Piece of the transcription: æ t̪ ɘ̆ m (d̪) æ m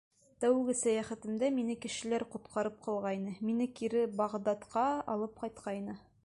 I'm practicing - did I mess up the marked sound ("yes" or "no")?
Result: no